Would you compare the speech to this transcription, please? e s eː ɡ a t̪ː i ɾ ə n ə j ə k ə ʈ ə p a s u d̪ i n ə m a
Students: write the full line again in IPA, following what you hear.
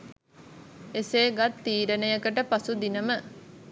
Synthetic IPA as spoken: e s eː ɡ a t̪ː iː ɾ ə n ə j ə k ə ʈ ə p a s u d̪ i n ə m ə

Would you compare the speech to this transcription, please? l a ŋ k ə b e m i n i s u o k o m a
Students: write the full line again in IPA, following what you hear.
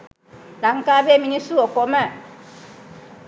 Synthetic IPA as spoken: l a ŋ k a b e m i n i s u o k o m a

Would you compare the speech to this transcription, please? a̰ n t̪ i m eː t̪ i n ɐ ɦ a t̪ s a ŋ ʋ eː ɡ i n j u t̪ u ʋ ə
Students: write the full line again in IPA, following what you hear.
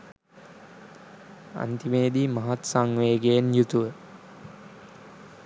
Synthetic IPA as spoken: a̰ n t̪ i m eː d̪ i m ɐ ɦ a t̪ s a ŋ ʋ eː ɡ e n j u t̪ u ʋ ə

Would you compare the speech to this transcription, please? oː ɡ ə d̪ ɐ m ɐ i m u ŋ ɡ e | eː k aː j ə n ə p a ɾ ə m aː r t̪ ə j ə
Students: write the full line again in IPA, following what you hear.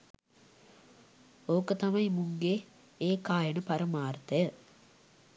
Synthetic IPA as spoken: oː k ə t̪ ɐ m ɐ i m u ŋ ɡ e | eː k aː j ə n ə p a ɾ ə m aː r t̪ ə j ə

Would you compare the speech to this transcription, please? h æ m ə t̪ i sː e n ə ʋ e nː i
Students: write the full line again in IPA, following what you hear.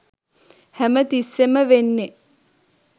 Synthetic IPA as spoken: h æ m ə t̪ i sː e m ə ʋ e nː e

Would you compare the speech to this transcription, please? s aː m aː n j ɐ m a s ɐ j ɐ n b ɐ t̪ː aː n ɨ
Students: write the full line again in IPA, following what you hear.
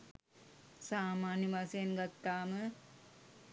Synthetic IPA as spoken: s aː m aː n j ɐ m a s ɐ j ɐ n ɡ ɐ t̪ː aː m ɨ

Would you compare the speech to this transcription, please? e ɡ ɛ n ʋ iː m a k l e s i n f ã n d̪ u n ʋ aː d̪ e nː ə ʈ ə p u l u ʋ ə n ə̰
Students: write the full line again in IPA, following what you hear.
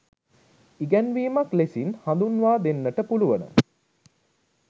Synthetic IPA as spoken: i ɡ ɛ n ʋ iː m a k l e s i n h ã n d̪ u n ʋ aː d̪ e nː ə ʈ ə p u l u ʋ ə n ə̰

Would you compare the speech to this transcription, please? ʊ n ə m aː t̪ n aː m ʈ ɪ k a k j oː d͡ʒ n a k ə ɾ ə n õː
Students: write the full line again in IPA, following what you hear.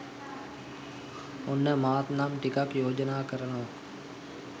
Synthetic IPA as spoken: ʊ n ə m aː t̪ n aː m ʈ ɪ k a k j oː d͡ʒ n a k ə ɾ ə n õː

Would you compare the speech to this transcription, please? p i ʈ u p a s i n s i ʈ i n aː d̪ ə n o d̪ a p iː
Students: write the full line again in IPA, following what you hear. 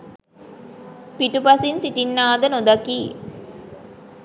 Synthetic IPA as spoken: p i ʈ u p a s i n s i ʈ i nː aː d̪ ə n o d̪ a k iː

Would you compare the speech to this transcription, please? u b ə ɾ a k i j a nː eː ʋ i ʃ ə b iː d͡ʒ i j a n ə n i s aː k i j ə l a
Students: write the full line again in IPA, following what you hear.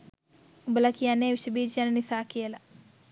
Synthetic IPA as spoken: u b ə l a k i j a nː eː ʋ i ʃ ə b iː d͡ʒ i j a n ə n i s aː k i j ə l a

